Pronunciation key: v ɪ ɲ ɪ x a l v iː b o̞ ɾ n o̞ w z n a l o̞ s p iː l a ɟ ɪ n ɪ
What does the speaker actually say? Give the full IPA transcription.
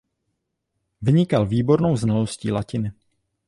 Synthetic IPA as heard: v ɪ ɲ ɪ k a l v iː b o̞ ɾ n o̞ w z n a l o̞ s c iː l a c ɪ n ɪ